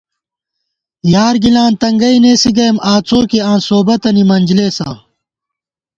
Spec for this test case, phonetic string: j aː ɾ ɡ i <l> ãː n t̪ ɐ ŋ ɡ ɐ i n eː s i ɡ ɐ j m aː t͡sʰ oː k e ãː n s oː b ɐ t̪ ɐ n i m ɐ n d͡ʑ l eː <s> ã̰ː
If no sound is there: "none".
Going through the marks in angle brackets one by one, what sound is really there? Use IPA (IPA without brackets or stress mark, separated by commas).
l, s